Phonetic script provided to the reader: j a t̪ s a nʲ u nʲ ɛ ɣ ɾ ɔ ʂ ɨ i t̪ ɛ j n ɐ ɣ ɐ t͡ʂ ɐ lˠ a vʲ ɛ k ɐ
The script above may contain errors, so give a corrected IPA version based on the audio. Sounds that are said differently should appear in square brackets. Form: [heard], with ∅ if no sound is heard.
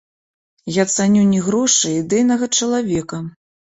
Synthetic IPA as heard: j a t̪ s a nʲ u nʲ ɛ ɣ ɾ ɔ ʂ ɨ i [d̪] ɛ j n ɐ ɣ ɐ t͡ʂ ɐ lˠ a vʲ ɛ k ɐ